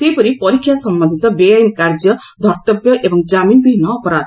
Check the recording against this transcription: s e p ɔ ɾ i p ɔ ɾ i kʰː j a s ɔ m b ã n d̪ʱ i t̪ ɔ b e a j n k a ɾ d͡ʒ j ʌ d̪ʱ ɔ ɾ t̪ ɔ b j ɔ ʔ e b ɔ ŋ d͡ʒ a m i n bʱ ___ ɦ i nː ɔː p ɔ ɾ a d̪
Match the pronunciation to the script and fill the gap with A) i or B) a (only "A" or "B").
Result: A